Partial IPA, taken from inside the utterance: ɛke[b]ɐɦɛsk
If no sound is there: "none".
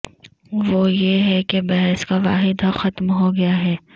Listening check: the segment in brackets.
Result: b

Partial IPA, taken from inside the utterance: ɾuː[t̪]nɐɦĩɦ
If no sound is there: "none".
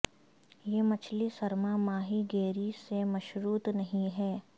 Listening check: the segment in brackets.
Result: t̪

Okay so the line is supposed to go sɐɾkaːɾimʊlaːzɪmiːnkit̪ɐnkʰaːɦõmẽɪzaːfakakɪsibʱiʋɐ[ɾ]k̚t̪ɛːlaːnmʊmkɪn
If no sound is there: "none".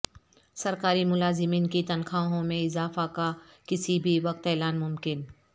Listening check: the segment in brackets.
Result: none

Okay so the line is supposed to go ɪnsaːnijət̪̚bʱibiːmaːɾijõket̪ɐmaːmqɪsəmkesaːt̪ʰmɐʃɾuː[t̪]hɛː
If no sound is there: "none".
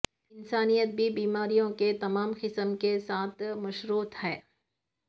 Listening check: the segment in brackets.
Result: t̪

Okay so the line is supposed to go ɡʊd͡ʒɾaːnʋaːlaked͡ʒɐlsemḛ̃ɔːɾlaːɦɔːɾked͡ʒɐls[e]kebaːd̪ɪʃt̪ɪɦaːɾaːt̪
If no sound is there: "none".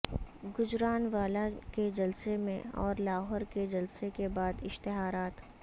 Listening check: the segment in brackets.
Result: e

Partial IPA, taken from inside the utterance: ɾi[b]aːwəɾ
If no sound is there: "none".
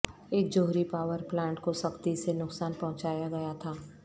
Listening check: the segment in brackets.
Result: p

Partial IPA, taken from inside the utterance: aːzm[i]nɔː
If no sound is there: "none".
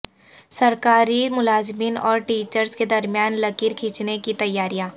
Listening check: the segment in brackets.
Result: iː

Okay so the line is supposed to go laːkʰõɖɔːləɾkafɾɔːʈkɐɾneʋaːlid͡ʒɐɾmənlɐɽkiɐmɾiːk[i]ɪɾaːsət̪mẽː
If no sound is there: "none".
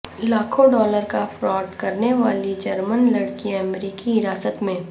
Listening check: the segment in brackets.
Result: i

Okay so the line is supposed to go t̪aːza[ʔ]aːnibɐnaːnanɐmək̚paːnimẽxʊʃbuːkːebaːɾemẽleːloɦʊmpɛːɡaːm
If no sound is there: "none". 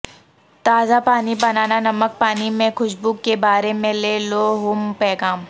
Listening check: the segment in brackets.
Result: p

